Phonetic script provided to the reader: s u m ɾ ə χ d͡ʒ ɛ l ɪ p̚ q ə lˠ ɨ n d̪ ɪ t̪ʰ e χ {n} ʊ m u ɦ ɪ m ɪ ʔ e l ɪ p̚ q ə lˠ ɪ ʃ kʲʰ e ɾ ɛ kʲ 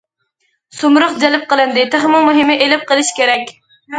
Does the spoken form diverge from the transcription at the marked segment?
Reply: yes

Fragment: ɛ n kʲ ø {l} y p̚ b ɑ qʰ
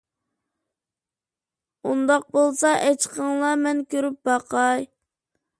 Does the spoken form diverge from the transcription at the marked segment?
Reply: yes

